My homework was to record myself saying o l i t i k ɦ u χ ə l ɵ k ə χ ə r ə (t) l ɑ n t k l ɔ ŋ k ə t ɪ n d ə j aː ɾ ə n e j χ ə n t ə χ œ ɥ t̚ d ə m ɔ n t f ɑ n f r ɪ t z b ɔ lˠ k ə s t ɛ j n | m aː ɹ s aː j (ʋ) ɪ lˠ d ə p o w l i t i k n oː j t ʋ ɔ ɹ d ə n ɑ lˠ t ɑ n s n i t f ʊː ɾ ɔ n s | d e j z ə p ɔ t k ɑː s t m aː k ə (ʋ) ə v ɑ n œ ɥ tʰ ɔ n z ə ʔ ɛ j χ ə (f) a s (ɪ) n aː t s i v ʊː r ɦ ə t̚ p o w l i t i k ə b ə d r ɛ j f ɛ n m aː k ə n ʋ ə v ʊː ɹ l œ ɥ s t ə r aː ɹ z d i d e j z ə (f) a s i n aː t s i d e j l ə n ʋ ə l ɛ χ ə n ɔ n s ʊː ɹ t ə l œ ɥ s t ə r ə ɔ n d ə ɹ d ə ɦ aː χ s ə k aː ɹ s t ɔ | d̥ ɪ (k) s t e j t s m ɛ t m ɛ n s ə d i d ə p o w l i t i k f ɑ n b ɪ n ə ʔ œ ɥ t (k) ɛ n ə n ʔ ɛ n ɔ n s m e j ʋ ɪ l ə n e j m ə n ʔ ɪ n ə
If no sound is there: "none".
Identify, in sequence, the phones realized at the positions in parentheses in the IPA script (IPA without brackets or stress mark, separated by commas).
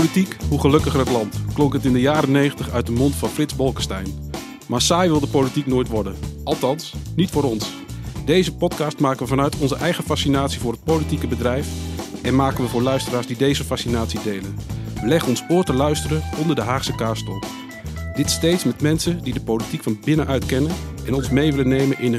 t, ʋ, ʋ, f, i, f, t, k